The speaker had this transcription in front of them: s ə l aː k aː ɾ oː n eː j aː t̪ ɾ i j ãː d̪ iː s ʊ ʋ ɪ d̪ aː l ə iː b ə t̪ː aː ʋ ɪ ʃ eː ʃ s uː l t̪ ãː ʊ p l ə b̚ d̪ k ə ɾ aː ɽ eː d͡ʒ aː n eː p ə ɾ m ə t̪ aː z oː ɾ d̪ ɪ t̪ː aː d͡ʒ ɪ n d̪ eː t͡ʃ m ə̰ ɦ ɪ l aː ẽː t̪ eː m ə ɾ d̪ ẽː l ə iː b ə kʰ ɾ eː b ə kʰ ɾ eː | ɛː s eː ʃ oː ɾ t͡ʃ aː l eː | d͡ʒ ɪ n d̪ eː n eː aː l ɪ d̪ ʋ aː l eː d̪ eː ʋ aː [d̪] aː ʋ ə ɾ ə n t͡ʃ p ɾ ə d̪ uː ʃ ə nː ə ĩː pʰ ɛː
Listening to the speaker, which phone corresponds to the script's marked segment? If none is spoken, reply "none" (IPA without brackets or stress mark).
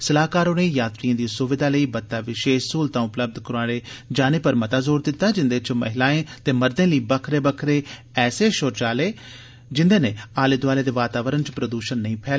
t̪